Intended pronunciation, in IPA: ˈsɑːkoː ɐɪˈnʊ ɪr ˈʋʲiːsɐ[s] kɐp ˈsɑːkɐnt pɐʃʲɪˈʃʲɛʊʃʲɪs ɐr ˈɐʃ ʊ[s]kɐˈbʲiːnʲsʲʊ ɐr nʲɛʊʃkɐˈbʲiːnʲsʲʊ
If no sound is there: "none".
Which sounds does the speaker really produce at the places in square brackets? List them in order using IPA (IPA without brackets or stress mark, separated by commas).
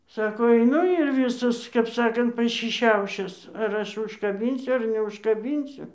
s, ʃ